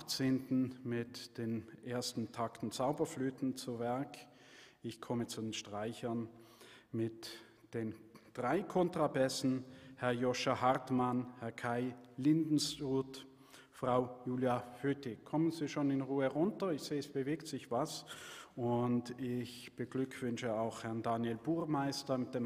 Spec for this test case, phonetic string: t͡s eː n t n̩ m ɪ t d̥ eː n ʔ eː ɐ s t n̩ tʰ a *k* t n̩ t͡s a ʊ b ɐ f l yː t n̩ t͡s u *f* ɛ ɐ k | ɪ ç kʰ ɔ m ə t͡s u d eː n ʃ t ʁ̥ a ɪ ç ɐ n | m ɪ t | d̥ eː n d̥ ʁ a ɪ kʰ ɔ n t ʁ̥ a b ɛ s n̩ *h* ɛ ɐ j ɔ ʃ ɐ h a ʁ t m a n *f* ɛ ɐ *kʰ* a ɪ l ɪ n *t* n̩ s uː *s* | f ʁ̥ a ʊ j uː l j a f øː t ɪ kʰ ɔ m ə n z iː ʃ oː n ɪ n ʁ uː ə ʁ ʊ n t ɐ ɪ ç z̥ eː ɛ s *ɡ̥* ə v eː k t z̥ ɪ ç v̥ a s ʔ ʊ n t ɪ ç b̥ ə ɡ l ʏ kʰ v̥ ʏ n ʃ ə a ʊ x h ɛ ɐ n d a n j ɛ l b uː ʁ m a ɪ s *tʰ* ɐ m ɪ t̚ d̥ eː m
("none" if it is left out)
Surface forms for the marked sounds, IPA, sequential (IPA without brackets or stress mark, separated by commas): k, v, h, h, kʰ, d, t, b̥, t